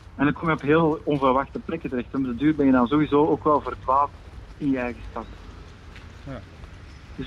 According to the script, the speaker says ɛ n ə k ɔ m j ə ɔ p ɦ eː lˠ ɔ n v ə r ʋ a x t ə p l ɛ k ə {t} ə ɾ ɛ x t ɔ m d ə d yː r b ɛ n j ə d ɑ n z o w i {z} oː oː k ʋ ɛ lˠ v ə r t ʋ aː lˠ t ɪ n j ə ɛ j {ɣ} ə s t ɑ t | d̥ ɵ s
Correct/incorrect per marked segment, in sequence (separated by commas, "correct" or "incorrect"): correct, correct, correct